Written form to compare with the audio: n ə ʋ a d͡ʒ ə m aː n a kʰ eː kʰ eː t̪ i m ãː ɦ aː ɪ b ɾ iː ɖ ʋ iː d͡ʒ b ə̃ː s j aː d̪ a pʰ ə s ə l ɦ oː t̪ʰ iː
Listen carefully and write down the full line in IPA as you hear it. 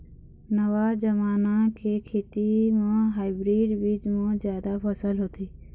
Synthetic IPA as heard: n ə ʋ a d͡ʒ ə m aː n a kʰ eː kʰ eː t̪ i m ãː ɦ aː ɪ b ɾ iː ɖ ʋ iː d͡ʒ m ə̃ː z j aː d̪ a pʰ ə s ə l ɦ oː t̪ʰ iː